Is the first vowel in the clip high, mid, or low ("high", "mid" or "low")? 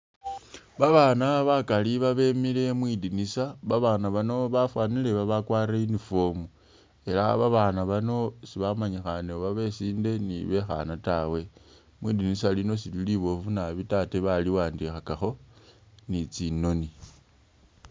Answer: low